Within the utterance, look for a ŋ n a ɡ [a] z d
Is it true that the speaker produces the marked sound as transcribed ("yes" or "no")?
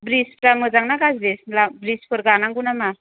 yes